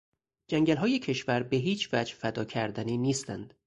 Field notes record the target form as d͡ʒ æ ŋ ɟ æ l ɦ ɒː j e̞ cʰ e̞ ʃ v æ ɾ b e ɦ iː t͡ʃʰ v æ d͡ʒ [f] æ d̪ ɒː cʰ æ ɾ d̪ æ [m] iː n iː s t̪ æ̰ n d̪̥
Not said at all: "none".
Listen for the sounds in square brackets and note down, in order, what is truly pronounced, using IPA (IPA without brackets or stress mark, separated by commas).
f, n